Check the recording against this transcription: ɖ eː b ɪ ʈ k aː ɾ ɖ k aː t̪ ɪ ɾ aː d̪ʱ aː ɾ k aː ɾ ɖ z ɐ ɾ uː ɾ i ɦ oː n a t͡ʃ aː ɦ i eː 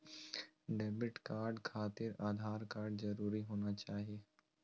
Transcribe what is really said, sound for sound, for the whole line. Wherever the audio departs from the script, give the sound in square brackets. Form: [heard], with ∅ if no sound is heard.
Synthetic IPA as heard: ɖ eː b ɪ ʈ k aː ɾ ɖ [kʰ] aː t̪ ɪ ɾ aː d̪ʱ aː ɾ k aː ɾ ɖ z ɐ ɾ uː ɾ i ɦ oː n a t͡ʃ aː ɦ i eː